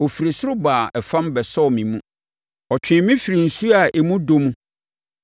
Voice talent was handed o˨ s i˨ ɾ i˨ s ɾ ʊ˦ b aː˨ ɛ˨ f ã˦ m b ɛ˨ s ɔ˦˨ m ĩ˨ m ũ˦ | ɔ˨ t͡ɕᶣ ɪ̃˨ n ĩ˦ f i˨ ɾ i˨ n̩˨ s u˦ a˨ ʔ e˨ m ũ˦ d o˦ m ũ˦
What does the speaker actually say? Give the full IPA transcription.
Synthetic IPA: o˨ f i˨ ɾ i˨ s ɾ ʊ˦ b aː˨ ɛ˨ f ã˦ m b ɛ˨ s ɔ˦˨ m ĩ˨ m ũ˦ | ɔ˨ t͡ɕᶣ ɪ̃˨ m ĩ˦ f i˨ ɾ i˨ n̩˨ s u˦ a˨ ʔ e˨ m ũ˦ d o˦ m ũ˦